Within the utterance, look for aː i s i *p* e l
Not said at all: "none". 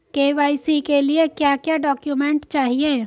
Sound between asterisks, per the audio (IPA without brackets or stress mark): k